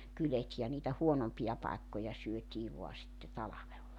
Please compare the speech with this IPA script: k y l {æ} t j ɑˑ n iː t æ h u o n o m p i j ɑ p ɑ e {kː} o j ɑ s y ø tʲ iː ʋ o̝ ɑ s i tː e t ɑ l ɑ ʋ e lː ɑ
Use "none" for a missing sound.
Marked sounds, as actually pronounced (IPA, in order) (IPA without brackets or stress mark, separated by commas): e, kː